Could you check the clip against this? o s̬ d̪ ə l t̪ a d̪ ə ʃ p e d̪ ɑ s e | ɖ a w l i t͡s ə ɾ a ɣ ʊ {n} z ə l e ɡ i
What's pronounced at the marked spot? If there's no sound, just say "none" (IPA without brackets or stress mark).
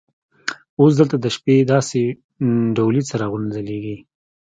n